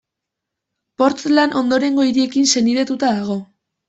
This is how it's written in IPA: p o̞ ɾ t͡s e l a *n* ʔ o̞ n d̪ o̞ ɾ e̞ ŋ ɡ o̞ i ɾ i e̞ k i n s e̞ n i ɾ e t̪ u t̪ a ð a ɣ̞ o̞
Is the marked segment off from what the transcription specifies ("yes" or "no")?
no